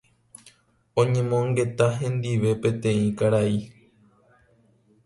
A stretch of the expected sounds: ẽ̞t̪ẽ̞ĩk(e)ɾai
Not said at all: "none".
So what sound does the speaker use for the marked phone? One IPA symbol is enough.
a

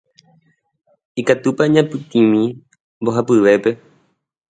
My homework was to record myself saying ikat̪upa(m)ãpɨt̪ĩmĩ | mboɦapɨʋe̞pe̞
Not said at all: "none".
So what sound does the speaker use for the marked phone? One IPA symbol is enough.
ɲ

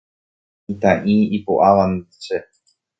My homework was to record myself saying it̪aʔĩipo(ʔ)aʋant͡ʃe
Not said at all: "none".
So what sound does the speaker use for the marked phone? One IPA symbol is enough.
ʔ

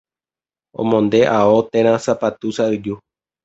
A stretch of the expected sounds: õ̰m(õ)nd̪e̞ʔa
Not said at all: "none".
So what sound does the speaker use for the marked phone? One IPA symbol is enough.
õ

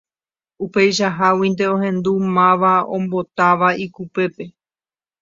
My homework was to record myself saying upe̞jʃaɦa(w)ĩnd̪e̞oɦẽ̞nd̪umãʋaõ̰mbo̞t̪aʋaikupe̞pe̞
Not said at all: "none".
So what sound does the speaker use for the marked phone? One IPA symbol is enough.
w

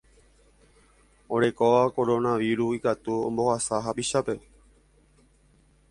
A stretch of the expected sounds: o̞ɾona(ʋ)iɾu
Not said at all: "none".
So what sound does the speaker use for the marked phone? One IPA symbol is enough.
ʋ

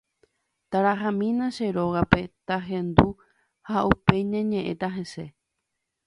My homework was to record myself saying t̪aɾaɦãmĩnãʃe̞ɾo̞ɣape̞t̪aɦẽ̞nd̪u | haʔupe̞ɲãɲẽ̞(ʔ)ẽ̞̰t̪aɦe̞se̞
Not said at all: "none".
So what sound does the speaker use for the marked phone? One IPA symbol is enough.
ʔ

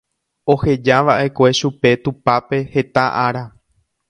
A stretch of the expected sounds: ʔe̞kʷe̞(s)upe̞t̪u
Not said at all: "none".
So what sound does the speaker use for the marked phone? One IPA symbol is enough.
ʃ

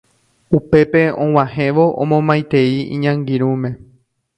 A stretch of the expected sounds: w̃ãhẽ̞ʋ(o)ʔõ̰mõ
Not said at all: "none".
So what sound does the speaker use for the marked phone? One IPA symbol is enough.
o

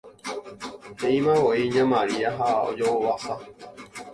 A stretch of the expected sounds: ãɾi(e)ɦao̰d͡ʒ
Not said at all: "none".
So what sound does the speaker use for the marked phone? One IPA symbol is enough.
a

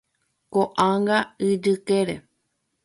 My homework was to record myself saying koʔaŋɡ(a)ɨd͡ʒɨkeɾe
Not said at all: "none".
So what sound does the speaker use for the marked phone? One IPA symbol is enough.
a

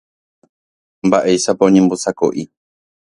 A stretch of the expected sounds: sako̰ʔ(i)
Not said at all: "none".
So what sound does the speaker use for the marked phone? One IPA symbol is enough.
i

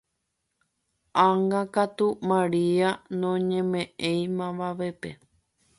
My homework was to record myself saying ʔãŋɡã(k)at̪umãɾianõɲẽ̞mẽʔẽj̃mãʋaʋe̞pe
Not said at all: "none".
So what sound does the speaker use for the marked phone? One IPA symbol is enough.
k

